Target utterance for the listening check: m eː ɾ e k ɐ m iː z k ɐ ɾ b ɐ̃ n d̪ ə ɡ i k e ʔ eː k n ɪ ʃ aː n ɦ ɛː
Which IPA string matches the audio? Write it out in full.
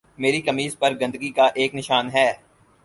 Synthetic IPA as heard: m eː ɾ i k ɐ m iː z p ɐ ɾ ɡ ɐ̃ n d̪ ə ɡ i k a ʔ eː k n ɪ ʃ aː n ɦ ɛː